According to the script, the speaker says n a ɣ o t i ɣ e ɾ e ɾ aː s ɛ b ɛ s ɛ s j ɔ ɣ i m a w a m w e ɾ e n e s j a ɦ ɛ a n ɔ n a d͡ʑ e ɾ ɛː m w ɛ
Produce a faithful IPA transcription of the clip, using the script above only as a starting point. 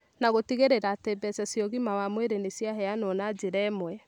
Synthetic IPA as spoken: n a ɣ o t i ɣ e ɾ e ɾ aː t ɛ b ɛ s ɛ s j ɔ ɣ i m a w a m w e ɾ e n e s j a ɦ ɛ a n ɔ n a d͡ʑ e ɾ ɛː m w ɛ